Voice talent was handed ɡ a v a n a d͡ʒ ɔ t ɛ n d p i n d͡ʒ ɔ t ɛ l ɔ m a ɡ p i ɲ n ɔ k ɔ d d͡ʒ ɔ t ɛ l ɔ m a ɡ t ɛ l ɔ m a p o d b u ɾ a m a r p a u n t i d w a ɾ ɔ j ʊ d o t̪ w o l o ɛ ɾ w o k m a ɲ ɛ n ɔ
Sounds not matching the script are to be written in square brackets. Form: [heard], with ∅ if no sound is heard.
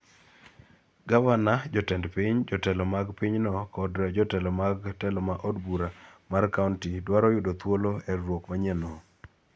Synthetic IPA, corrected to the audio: ɡ a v a n a d͡ʒ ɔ t ɛ n d p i [ɲ] d͡ʒ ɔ t ɛ l ɔ m a ɡ p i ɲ n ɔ k ɔ d d͡ʒ ɔ t ɛ l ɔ m a ɡ t ɛ l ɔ m a [ʔ] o d b u ɾ a m a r [k] a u n t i d w a ɾ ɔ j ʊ d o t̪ w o l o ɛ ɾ w o k m a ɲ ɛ n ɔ